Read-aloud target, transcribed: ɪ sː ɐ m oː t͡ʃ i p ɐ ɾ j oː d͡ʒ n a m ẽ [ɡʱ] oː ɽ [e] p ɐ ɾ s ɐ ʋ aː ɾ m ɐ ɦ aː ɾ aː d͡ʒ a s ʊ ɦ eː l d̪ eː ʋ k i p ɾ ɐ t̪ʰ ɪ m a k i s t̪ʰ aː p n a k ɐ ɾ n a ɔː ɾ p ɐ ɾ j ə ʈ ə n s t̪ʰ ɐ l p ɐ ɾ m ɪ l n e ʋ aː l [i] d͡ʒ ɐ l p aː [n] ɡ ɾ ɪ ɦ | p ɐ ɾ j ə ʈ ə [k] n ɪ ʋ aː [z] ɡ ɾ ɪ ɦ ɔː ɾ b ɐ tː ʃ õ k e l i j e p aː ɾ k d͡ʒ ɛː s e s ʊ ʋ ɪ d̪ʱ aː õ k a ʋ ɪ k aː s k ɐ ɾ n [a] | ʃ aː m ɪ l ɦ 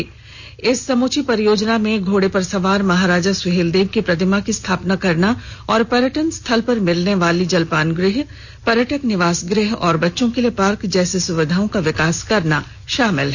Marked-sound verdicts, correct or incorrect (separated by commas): correct, correct, correct, correct, correct, incorrect, correct